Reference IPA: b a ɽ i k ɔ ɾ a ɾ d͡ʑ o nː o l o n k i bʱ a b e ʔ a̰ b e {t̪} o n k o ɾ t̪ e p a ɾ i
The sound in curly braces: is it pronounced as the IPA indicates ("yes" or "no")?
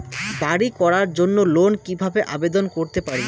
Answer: no